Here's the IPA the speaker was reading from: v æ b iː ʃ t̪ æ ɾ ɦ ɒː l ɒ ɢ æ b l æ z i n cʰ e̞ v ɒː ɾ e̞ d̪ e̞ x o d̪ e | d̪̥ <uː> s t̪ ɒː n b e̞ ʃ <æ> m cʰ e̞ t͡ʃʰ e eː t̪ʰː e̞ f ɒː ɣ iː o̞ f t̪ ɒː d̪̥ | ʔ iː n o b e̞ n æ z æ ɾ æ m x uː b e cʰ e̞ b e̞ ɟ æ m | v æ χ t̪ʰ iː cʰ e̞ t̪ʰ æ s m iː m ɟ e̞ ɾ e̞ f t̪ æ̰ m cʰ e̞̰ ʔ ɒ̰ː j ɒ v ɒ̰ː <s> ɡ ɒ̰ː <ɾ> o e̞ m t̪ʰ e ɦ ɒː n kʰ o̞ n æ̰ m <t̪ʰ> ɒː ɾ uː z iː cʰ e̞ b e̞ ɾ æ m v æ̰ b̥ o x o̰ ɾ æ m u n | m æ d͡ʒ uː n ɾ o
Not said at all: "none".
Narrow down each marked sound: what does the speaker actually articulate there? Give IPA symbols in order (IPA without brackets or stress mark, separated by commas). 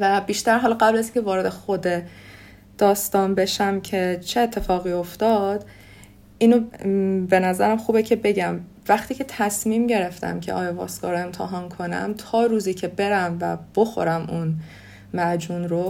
ɒː, æ, s, ɾ, t̪ʰ